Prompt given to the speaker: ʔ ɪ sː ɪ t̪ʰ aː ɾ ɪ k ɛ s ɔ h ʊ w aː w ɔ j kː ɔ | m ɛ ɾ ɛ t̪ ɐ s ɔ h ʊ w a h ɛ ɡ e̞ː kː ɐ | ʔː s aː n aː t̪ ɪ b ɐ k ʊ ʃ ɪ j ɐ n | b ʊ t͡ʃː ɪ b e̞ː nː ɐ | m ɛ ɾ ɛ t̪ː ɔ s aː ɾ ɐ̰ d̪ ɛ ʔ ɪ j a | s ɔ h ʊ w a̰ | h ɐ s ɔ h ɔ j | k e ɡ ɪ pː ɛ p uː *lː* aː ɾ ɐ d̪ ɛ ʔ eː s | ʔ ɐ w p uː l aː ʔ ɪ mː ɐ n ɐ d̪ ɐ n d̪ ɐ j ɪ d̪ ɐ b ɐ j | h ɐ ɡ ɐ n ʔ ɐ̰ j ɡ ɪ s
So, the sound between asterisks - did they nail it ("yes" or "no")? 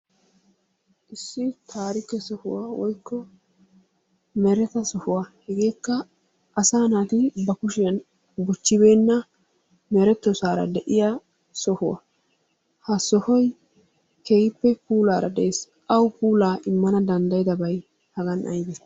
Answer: no